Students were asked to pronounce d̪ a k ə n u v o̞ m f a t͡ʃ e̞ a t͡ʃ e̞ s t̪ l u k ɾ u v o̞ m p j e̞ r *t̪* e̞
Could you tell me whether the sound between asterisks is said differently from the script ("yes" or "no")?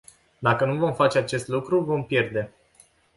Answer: yes